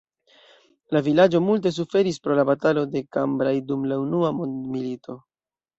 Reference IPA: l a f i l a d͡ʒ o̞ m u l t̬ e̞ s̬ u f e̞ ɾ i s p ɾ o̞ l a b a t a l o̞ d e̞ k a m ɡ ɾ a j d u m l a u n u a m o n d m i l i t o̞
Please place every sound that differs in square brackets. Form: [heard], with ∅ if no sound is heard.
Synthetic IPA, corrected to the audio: l a [v] i l a d͡ʒ o̞ m u l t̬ e̞ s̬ u f e̞ ɾ i s p ɾ o̞ l a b a t a l o̞ d e̞ k a m [b] ɾ a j d u m l a u n u a m o n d m i l i t o̞